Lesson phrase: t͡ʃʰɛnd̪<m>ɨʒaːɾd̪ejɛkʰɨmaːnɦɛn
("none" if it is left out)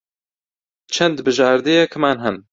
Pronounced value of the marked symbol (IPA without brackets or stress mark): b